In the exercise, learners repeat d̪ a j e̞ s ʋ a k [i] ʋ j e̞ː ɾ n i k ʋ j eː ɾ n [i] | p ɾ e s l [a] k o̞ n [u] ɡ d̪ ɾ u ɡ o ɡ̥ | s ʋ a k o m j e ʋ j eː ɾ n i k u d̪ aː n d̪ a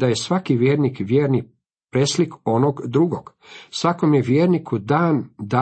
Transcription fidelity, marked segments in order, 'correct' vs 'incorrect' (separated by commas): correct, correct, incorrect, incorrect